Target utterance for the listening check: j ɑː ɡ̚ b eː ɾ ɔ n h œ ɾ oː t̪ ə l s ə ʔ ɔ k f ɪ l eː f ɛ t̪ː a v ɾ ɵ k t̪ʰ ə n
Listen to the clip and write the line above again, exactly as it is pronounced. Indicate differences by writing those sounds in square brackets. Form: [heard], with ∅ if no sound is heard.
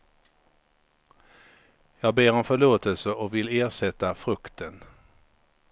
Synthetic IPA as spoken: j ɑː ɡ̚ b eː ɾ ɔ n [f] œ [ɭ] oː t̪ ə l s ə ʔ ɔ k [v] ɪ l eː [ʂ] ɛ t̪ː a [f] ɾ ɵ k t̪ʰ ə n